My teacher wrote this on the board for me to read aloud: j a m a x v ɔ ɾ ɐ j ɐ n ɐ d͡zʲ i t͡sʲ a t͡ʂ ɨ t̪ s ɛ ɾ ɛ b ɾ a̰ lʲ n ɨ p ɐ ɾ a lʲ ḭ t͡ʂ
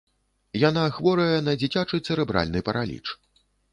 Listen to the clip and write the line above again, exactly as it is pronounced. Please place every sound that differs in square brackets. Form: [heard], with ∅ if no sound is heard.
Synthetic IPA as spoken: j a [n] a x v ɔ ɾ ɐ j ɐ n ɐ d͡zʲ i t͡sʲ a t͡ʂ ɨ t̪ s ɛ ɾ ɛ b ɾ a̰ lʲ n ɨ p ɐ ɾ a lʲ ḭ t͡ʂ